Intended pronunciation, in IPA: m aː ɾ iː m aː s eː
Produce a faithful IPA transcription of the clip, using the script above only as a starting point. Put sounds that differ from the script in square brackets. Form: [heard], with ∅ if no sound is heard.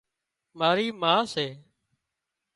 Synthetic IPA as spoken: m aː ɾ iː m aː s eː